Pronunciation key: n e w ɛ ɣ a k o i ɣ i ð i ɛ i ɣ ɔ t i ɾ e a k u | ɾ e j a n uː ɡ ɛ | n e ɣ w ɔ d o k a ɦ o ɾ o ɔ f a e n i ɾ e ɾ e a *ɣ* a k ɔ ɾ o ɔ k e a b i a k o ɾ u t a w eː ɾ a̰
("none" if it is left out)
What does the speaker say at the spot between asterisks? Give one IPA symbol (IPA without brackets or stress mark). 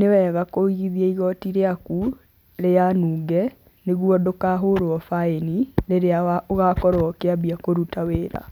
ɣ